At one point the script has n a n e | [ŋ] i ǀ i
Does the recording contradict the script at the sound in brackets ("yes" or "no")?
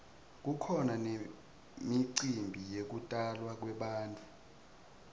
yes